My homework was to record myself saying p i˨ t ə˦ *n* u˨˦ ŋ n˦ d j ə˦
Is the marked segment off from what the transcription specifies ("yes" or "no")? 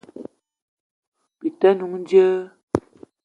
no